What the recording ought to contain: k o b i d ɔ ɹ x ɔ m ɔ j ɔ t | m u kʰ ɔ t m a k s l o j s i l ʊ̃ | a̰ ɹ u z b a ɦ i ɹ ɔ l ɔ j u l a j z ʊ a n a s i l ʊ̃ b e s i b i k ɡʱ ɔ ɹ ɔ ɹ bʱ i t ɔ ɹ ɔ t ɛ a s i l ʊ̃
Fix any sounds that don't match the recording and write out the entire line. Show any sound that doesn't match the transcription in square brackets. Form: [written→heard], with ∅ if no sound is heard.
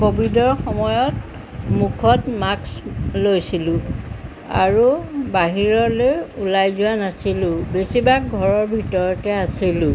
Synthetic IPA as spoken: k o b i d ɔ ɹ x ɔ m ɔ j ɔ t | m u kʰ ɔ t m a k s l o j s i l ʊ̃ | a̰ ɹ u [z→∅] b a ɦ i ɹ ɔ l [ɔ→o] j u l a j z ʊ a n a s i l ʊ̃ b e s i b [i→a] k ɡʱ ɔ ɹ ɔ ɹ bʱ i t ɔ ɹ ɔ t ɛ a s i l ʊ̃